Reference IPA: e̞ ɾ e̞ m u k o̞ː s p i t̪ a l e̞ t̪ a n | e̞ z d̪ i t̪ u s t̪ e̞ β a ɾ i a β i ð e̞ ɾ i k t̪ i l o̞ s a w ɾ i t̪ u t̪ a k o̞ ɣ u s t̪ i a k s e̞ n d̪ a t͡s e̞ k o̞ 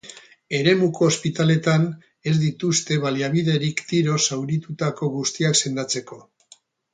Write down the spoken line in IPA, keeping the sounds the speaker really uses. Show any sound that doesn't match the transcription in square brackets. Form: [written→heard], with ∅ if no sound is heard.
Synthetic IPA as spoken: e̞ ɾ e̞ m u k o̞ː s p i t̪ a l e̞ t̪ a n | e̞ z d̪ i t̪ u s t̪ e̞ β a [ɾ→l] i a β i ð e̞ ɾ i k t̪ i [l→ɾ] o̞ s a w ɾ i t̪ u t̪ a k o̞ ɣ u s t̪ i a k s e̞ n d̪ a t͡s e̞ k o̞